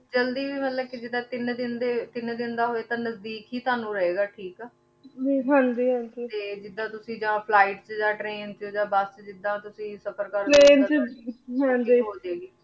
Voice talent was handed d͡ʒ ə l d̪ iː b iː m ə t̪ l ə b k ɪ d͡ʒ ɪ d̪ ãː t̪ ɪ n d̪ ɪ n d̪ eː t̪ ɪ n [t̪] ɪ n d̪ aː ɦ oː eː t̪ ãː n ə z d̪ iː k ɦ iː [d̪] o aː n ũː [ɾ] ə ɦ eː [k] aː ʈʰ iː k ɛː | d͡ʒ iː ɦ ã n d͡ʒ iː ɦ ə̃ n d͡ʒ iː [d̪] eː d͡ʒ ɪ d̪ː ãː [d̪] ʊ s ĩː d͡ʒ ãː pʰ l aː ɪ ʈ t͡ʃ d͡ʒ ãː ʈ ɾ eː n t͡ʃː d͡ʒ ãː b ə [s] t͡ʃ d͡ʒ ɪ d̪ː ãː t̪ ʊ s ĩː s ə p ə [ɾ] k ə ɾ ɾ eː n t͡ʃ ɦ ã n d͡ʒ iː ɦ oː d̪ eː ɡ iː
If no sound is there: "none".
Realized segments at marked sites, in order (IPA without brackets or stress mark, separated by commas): d̪, t̪, ɾ, ɡ, t̪, t̪, s, ɾ